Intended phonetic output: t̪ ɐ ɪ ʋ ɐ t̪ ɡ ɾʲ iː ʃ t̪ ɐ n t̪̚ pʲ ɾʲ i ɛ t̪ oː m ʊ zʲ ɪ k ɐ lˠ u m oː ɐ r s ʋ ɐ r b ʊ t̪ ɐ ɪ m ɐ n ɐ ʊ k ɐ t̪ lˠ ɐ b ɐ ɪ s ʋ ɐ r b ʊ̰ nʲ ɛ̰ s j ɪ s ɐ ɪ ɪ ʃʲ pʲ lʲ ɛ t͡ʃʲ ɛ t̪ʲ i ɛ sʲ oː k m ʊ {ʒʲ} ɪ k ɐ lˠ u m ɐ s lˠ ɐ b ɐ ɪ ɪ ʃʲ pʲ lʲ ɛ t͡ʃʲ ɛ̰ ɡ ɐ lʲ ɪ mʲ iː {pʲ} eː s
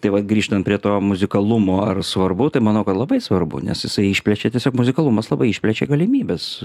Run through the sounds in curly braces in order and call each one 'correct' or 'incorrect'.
incorrect: zʲ, incorrect: bʲ

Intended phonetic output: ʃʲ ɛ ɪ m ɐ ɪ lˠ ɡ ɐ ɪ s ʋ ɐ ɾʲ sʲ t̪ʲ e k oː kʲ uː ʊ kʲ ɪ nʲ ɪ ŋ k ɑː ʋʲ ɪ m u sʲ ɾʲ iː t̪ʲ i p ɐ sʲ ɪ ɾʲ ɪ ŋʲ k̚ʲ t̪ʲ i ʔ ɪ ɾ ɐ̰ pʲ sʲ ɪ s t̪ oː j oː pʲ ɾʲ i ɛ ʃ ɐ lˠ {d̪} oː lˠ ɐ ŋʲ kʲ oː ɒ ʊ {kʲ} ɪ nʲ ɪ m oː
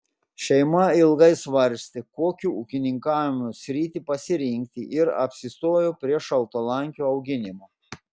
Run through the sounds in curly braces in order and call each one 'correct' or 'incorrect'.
incorrect: t̪, incorrect: ɡʲ

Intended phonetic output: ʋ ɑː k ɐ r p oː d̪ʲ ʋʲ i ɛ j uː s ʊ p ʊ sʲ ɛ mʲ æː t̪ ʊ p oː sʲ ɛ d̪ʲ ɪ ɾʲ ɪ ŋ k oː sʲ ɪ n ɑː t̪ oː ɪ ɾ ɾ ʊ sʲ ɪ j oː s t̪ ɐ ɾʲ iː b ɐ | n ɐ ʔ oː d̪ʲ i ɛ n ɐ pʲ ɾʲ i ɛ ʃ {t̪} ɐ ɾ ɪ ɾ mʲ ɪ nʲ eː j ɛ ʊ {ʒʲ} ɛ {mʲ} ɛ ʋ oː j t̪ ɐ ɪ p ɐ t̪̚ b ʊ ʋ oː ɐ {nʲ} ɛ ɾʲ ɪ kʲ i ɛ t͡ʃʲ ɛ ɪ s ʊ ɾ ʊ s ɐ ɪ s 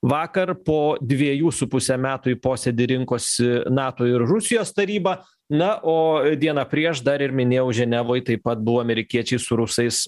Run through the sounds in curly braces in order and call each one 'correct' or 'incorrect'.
incorrect: d̪, correct, incorrect: nʲ, incorrect: mʲ

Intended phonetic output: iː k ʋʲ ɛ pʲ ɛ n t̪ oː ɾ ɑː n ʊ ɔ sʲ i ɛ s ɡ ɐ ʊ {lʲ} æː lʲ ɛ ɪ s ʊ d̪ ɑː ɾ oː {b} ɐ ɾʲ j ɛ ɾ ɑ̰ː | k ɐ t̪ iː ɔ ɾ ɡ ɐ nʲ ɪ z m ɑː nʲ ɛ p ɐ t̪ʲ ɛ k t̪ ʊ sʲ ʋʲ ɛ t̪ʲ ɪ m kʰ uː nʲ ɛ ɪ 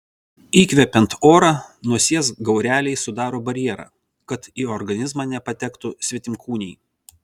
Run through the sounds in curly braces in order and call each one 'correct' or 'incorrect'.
incorrect: ɾʲ, correct

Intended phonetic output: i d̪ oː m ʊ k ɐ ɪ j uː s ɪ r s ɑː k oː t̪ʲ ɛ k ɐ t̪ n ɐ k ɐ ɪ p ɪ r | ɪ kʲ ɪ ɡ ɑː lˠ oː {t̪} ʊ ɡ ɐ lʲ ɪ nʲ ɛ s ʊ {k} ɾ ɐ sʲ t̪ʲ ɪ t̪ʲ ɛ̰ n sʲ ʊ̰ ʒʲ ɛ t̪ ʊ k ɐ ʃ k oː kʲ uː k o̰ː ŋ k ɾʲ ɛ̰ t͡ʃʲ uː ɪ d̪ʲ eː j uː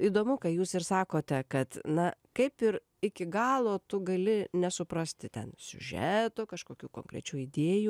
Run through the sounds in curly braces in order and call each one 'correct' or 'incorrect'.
correct, incorrect: p

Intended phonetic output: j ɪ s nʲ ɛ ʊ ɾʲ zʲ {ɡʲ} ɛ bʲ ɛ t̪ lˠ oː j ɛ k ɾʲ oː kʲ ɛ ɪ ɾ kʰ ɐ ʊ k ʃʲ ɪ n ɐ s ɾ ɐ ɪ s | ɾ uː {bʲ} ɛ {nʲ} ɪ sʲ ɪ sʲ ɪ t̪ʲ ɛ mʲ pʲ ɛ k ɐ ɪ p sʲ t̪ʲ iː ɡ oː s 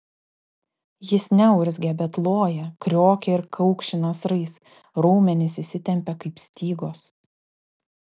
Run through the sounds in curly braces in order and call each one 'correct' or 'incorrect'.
correct, incorrect: mʲ, correct

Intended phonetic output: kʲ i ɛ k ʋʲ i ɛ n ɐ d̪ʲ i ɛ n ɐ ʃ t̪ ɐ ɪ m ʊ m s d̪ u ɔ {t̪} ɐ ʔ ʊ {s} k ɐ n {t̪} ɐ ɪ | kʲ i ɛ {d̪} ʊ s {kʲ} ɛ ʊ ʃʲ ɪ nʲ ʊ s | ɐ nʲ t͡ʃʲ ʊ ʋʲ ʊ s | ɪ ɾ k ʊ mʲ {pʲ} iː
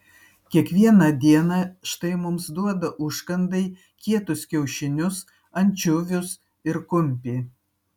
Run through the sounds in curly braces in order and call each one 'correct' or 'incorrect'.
incorrect: d̪, incorrect: ʃ, incorrect: d̪, incorrect: t̪, correct, correct

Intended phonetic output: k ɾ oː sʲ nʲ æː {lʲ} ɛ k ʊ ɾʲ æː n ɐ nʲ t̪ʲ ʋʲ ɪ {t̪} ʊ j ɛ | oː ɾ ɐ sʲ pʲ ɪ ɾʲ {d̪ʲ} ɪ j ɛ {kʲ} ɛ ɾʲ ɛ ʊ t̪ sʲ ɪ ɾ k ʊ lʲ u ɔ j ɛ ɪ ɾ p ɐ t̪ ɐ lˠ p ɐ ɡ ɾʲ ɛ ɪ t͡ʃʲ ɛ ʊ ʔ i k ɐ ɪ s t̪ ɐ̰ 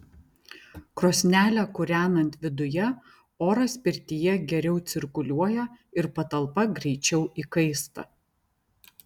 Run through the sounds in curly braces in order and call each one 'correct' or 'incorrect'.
correct, incorrect: d̪, incorrect: t̪ʲ, incorrect: ɡʲ

